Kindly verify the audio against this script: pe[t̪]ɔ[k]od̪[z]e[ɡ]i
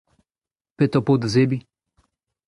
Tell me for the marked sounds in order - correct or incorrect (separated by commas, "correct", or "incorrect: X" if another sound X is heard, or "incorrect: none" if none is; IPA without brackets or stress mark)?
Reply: correct, incorrect: p, correct, incorrect: b